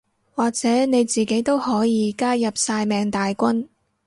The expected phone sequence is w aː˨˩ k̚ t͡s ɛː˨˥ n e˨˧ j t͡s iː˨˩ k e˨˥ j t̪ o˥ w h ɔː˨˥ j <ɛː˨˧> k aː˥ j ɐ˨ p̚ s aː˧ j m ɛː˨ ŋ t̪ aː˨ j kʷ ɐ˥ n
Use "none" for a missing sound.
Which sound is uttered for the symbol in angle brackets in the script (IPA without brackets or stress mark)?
iː˨˧